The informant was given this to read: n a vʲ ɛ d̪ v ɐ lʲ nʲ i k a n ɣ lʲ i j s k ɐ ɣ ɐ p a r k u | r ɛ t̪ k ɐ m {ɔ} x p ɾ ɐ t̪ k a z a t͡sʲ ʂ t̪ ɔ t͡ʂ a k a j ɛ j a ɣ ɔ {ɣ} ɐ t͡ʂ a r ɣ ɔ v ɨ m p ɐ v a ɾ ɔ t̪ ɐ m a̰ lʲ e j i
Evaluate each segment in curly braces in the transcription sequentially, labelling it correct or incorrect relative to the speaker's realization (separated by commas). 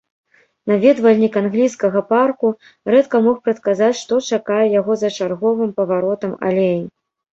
correct, incorrect